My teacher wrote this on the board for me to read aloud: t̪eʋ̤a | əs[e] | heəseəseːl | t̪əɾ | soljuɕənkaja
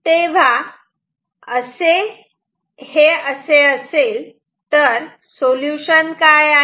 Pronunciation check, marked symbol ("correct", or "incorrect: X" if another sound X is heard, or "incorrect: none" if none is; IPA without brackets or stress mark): correct